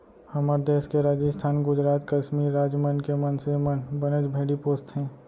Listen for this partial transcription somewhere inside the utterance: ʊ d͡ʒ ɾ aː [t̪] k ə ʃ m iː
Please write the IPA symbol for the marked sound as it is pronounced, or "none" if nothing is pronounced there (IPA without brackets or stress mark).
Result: t̪